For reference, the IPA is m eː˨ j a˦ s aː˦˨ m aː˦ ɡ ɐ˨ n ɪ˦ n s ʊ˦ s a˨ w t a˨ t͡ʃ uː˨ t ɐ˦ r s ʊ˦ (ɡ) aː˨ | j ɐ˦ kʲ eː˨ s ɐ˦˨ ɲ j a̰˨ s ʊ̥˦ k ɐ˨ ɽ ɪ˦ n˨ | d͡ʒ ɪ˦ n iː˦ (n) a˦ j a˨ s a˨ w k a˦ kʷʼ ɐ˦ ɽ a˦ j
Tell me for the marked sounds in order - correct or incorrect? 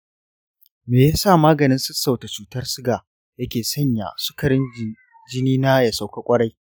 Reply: correct, correct

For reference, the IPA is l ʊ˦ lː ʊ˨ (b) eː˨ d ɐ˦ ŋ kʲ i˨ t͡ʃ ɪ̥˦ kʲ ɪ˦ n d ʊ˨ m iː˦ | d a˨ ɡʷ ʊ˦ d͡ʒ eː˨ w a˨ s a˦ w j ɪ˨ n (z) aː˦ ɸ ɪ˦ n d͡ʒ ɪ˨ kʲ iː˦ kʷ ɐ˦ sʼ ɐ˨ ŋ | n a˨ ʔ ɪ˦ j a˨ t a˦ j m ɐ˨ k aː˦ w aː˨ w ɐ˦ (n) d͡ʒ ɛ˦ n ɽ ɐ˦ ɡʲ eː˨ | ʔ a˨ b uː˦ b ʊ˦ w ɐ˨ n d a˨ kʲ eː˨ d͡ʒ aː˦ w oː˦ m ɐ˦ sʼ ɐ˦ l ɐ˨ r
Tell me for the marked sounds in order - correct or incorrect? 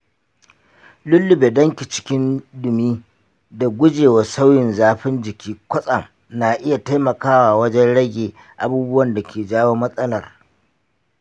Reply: correct, correct, incorrect: none

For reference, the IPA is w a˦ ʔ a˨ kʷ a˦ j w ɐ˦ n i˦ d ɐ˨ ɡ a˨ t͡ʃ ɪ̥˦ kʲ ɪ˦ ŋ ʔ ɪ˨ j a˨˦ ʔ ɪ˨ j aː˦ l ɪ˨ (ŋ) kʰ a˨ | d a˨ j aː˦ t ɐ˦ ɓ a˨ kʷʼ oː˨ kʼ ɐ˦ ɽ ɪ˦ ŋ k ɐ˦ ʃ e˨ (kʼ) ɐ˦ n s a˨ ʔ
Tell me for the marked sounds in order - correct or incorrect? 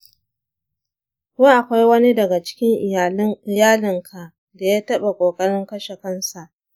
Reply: correct, incorrect: k

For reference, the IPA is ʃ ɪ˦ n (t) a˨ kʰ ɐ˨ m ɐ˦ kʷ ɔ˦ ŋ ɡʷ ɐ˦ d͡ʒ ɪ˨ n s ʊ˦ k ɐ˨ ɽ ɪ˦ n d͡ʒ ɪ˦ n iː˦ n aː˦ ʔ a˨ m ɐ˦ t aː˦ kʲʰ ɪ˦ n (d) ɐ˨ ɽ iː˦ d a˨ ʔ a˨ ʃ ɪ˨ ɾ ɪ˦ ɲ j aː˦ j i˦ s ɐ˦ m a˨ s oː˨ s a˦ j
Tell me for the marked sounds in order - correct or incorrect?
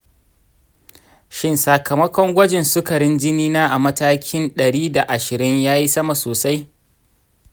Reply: incorrect: s, incorrect: ɗ

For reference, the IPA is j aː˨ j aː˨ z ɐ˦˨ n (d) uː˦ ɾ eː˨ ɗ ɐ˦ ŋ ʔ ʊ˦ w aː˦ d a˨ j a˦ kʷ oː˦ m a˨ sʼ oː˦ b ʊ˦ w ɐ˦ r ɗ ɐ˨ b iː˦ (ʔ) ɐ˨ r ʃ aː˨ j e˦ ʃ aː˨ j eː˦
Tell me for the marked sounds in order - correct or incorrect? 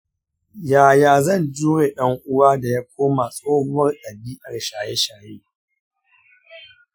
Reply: incorrect: d͡ʒ, correct

